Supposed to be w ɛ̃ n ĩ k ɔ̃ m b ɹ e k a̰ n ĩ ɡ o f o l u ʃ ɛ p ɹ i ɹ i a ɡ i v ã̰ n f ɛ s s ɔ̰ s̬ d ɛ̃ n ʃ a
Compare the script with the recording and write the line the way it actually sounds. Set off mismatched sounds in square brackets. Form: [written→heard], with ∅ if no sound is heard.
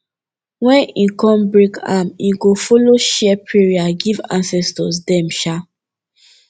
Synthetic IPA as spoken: w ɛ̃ n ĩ k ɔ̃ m b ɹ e k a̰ [n→m] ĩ ɡ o f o l [u→o] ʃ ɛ p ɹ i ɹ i a ɡ i v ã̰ n [f→s] ɛ s [s→t] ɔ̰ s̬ d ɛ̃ [n→m] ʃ a